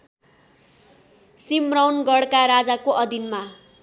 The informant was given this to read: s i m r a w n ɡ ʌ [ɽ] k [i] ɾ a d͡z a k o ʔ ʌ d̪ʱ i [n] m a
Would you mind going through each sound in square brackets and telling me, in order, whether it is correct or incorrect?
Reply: correct, incorrect, correct

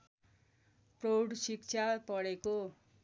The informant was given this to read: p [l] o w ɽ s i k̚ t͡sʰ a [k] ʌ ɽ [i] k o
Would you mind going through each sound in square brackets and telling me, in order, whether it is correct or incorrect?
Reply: incorrect, incorrect, incorrect

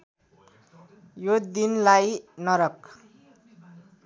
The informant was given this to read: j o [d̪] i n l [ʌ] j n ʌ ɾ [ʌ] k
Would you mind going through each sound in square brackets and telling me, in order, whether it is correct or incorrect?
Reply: correct, incorrect, correct

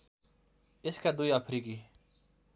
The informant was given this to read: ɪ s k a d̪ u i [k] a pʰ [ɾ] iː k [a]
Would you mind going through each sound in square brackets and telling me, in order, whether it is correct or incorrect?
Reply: incorrect, correct, incorrect

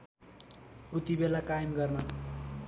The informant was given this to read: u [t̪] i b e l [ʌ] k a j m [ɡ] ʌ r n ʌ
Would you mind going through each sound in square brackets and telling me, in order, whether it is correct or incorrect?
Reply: correct, incorrect, correct

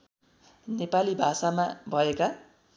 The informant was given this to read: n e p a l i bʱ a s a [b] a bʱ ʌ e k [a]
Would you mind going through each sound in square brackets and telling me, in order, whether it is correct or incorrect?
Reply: incorrect, correct

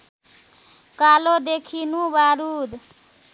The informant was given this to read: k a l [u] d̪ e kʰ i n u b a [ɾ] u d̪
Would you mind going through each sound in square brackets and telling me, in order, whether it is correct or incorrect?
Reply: incorrect, correct

